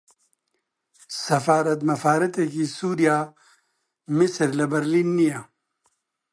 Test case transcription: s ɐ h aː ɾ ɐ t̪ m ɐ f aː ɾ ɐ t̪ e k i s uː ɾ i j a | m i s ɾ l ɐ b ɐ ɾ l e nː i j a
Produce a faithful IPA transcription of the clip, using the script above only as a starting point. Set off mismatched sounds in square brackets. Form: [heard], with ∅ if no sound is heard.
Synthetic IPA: s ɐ [f] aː ɾ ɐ t̪ m ɐ f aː ɾ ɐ t̪ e k i s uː ɾ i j a | m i s ɾ l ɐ b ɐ ɾ l [i] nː i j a